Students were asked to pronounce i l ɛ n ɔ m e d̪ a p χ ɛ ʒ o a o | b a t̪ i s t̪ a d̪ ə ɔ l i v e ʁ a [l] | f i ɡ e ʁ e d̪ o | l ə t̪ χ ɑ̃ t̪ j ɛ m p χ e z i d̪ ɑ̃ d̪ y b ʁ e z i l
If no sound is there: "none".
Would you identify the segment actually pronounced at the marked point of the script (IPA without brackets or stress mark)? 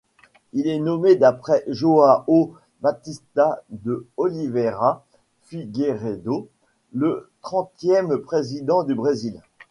none